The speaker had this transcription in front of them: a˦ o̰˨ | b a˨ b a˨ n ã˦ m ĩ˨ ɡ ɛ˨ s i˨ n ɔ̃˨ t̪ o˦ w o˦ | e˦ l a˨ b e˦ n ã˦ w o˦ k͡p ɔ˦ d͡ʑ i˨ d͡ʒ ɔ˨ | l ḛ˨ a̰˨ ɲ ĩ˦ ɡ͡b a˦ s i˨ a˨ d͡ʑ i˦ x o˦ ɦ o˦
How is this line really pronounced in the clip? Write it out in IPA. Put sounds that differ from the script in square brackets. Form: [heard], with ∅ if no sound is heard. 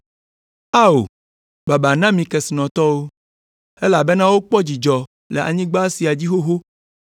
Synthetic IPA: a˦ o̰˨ | b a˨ b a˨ n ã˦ m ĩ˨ [k] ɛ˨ s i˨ n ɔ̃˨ t̪ [ɔ˦] w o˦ | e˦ l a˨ b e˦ n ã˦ w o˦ k͡p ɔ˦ d͡ʑ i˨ d͡ʒ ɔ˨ | l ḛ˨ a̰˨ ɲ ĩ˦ ɡ͡b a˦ s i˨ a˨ d͡ʑ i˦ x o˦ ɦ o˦